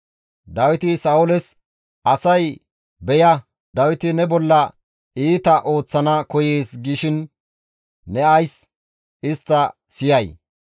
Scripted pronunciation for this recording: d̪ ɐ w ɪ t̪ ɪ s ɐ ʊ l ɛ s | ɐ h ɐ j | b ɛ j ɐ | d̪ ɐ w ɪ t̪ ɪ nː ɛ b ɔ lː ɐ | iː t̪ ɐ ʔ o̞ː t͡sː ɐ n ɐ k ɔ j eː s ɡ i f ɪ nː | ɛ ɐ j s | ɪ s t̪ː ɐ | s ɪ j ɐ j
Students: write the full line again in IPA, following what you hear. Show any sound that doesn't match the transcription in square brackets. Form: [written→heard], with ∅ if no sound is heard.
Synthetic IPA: d̪ ɐ w ɪ t̪ ɪ s ɐ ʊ l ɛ s | ɐ [h→s] ɐ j | b ɛ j ɐ | d̪ ɐ w ɪ t̪ ɪ [nː→n] ɛ b ɔ lː ɐ | iː t̪ ɐ ʔ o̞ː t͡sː ɐ n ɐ k ɔ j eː s ɡ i [f→ʃ] ɪ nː | ɛ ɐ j s | ɪ s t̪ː ɐ | s ɪ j ɐ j